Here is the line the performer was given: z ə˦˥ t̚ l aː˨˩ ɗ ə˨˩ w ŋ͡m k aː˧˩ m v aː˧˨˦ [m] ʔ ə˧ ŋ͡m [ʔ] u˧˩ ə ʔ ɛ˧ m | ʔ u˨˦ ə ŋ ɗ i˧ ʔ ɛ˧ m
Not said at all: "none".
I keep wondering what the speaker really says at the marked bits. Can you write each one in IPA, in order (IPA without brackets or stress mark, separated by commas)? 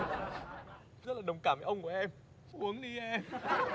none, k